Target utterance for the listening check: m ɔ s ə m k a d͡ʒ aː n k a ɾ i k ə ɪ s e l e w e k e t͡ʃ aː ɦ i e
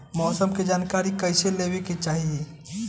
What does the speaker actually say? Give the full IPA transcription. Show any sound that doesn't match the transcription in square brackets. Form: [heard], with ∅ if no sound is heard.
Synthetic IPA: m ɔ s ə m k [e] d͡ʒ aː n k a ɾ i k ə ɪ s e l e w e k e t͡ʃ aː ɦ i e

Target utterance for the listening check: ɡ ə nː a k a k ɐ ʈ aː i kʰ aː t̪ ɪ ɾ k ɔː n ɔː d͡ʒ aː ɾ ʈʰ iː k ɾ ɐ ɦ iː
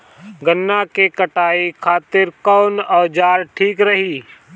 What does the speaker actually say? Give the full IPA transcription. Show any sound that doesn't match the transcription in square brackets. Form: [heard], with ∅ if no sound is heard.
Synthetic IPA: ɡ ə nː a k [e] k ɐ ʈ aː i kʰ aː t̪ ɪ ɾ k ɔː n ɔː d͡ʒ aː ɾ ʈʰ iː k ɾ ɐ ɦ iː

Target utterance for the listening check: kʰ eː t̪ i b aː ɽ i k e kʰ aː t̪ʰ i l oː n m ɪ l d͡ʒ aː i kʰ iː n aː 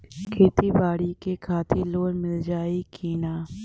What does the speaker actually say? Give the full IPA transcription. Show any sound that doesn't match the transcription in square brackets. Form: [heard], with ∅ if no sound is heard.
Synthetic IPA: kʰ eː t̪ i b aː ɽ i k e kʰ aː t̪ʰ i l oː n m ɪ l d͡ʒ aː i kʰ iː n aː

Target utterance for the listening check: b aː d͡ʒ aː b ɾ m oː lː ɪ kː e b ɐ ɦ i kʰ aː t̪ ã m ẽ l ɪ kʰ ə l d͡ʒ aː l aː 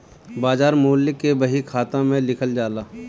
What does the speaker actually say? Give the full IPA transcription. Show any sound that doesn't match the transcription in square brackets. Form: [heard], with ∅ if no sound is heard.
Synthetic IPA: b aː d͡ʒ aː [∅] ɾ m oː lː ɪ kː e b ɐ ɦ i kʰ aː t̪ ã m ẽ l ɪ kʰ ə l d͡ʒ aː l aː

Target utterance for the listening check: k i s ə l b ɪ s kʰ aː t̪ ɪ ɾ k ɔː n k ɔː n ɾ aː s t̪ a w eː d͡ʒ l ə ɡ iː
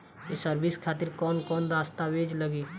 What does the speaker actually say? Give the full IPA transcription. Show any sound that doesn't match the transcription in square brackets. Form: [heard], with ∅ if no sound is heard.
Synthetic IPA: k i s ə [ɾ] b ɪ s kʰ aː t̪ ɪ ɾ k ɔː n k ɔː n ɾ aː s t̪ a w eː d͡ʒ l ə ɡ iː

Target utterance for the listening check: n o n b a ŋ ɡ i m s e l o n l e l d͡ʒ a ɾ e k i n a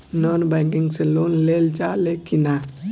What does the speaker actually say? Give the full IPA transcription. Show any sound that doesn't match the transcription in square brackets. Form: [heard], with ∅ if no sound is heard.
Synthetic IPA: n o n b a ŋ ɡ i [ŋ] s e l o n l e l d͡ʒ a [l] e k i n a

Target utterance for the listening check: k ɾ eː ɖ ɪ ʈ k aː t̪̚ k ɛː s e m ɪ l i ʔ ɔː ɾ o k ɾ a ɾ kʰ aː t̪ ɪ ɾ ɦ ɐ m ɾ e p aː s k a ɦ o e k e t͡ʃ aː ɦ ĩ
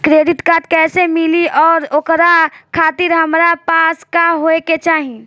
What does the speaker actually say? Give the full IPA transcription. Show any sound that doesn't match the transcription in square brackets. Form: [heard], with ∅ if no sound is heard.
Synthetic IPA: k ɾ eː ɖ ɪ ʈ k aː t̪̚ k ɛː s e m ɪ l i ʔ ɔː ɾ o k ɾ a [∅] kʰ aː t̪ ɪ ɾ ɦ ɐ m ɾ [a] p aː s k a ɦ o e k e t͡ʃ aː ɦ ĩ

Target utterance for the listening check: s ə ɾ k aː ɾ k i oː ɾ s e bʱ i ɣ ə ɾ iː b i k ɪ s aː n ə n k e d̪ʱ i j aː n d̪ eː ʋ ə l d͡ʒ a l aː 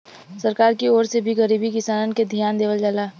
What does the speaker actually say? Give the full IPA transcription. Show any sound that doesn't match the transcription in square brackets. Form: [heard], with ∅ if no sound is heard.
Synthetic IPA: s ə ɾ k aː ɾ k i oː ɾ s e bʱ i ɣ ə ɾ iː b i k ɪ s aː n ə n k e d̪ʱ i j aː n d̪ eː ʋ ə l d͡ʒ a l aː

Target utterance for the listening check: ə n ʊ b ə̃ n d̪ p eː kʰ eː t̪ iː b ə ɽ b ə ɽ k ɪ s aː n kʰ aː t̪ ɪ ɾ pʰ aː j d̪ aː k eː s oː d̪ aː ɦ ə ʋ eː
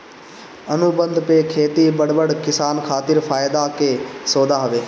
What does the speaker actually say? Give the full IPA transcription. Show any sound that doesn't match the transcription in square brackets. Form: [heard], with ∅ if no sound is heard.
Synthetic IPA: ə n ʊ b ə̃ n d̪ p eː kʰ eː t̪ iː b ə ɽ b ə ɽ k ɪ s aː n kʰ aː t̪ ɪ ɾ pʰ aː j d̪ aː k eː s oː d̪ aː ɦ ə ʋ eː

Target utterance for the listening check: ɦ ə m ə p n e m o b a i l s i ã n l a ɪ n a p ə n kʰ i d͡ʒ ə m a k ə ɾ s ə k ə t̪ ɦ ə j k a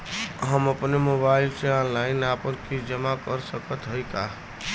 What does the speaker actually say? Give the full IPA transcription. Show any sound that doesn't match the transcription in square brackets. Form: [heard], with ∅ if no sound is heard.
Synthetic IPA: ɦ ə m ə p n e m o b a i l s [e] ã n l a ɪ n a p ə n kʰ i d͡ʒ ə m a k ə ɾ s ə k ə t̪ ɦ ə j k a

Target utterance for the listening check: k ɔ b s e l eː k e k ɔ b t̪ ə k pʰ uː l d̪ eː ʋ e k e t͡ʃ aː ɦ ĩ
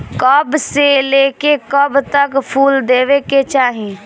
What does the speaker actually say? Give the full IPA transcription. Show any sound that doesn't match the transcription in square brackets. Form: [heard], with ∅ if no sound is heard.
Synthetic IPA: k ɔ b s e l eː k e k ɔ b t̪ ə k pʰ uː l d̪ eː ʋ e k e t͡ʃ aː ɦ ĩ

